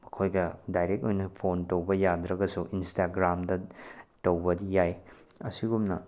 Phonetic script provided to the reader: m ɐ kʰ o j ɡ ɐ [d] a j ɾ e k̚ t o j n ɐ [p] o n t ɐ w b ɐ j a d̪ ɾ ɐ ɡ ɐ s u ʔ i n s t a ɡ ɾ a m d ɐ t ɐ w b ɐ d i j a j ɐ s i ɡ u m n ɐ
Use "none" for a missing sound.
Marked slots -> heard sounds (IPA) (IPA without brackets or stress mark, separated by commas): d, pʰ